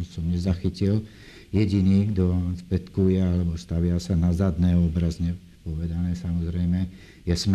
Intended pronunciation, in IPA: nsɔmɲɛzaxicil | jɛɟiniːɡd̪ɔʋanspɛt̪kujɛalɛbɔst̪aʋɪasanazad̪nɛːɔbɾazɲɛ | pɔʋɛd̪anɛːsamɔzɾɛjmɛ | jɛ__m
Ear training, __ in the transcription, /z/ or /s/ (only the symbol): s